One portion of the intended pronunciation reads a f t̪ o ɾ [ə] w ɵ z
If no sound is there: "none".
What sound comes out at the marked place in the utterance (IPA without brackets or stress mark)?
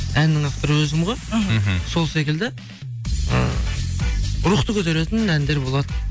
ə